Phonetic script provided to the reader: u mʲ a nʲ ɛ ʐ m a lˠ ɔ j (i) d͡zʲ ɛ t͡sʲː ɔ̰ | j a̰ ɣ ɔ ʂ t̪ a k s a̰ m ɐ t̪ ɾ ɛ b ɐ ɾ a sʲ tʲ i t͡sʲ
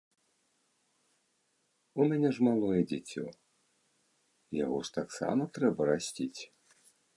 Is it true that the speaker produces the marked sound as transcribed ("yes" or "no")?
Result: no